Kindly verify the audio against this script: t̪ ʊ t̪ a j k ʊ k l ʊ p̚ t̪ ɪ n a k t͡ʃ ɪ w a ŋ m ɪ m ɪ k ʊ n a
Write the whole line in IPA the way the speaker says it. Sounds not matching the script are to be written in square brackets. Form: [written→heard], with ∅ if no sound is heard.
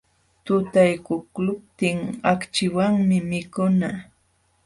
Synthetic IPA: t̪ ʊ t̪ a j k ʊ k l ʊ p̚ t̪ ɪ [n→ŋ] a k t͡ʃ ɪ w a ŋ m ɪ m ɪ k ʊ n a